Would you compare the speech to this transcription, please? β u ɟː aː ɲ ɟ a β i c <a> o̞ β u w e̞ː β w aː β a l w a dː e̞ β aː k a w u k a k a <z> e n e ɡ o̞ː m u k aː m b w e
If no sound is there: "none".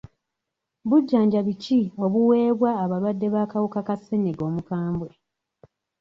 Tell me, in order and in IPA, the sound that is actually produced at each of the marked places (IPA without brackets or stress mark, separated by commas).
i, s